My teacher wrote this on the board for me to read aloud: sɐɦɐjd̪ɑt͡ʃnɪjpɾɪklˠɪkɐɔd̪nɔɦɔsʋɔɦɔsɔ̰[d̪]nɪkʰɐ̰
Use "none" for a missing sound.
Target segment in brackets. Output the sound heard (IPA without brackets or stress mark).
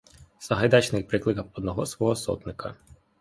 t̪